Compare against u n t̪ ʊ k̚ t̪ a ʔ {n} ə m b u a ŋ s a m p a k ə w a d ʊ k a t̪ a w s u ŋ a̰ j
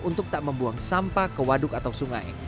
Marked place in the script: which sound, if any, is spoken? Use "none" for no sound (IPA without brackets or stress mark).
m